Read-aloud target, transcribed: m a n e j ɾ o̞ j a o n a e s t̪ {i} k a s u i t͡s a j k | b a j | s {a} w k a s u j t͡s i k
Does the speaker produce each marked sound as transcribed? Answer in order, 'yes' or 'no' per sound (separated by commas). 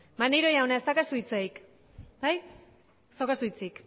no, yes